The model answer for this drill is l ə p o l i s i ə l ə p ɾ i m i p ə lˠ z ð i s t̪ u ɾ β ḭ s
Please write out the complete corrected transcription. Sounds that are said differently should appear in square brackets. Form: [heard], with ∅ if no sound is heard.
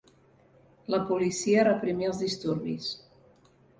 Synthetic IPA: l ə p [u] l i s i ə [r] ə p ɾ i m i [∅] ə lˠ z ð i s t̪ u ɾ β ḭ s